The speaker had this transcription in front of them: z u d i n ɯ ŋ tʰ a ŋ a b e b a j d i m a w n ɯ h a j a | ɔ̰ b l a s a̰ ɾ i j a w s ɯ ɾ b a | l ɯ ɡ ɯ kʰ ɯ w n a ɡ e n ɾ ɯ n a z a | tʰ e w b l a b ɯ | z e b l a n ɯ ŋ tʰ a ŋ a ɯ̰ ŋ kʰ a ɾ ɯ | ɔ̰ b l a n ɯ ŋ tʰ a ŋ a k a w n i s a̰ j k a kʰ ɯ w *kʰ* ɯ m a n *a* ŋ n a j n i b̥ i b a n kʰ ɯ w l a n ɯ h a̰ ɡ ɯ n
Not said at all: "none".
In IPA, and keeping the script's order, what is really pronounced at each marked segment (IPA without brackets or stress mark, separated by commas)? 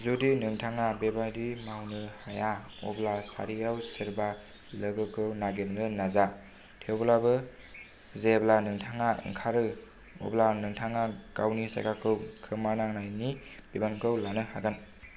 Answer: kʰ, a